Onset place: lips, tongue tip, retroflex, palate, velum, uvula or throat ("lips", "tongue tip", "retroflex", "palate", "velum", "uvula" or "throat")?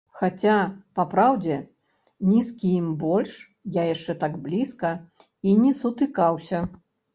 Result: velum